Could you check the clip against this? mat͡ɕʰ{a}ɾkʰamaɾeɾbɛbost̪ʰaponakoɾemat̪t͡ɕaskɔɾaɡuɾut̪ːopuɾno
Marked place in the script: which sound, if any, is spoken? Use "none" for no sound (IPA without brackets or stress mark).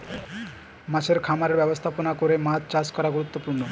e